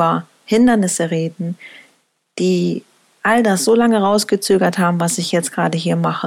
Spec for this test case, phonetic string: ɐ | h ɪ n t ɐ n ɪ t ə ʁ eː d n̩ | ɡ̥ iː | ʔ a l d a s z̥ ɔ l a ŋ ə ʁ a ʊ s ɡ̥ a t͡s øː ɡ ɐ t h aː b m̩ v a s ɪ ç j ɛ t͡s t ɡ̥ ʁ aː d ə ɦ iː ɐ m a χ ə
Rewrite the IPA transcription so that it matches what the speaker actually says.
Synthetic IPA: ɐ | h ɪ n d ɐ n ɪ s ə ʁ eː d n̩ | d̥ iː | ʔ a l d a s z̥ o l a ŋ ə ʁ a ʊ s ɡ̥ ə t͡s øː ɡ ɐ t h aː b m̩ v a s ɪ ç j ɛ t͡s t ɡ̥ ʁ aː d ə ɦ iː ɐ m a χ ə